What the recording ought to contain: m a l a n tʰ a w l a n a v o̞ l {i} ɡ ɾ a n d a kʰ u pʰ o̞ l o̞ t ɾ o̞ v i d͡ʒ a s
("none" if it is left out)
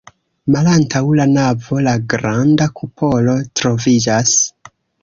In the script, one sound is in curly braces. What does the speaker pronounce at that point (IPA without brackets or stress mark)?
a